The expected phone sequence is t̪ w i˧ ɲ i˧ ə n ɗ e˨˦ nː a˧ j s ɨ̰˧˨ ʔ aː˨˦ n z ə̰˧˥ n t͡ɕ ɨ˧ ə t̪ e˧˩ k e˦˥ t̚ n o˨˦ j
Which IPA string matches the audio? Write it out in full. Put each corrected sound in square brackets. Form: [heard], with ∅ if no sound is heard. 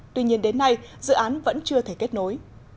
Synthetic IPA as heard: t̪ w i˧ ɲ i˧ ə n ɗ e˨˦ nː a˧ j [z] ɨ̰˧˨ ʔ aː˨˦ n [v] ə̰˧˥ n t͡ɕ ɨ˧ ə [t̪ʰ] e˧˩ k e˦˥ t̚ n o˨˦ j